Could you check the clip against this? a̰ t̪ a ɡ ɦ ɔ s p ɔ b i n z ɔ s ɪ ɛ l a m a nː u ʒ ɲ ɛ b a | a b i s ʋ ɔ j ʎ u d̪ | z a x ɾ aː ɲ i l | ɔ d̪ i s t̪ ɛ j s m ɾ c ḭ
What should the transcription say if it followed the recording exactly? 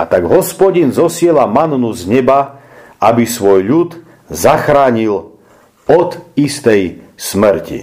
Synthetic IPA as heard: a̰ t̪ a ɡ ɦ ɔ s p ɔ ɟ i n z ɔ s ɪ ɛ l a m a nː u z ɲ ɛ b a | a b i s ʋ ɔ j ʎ u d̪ | z a x ɾ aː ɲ i l | ɔ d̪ i s t̪ ɛ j s m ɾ c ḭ